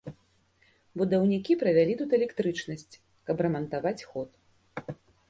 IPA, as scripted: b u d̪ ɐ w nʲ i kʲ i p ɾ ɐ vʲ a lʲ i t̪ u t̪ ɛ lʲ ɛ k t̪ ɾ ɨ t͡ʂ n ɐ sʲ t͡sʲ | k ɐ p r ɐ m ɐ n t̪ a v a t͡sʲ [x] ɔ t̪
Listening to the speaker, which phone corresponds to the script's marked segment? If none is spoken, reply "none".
x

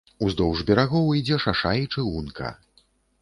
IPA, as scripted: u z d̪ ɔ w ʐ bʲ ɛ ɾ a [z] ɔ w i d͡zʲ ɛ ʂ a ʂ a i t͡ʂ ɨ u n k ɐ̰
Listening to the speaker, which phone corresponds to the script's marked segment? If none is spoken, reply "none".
ɣ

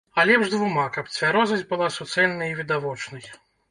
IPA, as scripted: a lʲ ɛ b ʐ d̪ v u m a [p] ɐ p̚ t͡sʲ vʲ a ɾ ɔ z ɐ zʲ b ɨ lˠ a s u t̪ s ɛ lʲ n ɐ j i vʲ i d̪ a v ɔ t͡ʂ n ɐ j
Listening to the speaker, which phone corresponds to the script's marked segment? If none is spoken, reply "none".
k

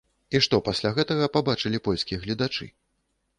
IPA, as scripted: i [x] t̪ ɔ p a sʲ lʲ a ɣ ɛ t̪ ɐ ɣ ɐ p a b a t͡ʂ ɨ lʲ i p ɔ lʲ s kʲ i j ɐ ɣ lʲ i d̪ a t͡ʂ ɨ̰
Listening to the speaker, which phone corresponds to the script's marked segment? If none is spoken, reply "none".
ʂ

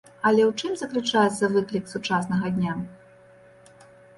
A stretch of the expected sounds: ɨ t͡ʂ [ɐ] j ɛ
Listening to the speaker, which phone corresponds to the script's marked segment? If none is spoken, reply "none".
a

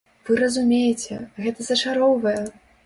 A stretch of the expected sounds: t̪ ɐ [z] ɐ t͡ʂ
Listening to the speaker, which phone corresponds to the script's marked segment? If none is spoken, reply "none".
z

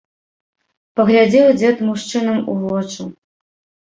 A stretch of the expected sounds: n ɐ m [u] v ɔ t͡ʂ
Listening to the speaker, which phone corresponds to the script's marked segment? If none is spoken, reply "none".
u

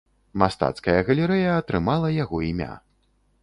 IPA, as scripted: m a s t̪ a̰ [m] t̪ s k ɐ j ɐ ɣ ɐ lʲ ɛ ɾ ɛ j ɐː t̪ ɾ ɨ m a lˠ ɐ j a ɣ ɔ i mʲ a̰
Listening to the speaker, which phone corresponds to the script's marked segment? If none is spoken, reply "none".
none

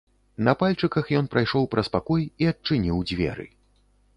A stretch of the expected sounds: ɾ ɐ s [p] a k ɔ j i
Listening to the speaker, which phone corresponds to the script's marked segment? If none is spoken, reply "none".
p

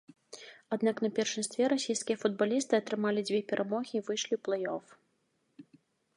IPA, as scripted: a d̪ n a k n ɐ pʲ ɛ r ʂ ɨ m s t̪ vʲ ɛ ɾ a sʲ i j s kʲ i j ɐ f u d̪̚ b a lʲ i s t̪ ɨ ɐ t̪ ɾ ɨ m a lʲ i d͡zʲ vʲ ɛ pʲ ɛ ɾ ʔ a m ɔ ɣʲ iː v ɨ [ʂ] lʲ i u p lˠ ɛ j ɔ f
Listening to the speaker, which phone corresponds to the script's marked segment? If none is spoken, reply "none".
ʂ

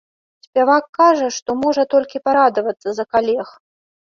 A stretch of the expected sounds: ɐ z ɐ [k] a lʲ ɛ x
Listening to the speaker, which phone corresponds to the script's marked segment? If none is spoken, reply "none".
k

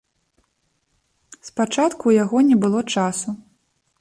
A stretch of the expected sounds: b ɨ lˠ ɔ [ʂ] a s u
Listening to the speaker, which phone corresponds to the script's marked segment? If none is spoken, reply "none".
t͡ʂ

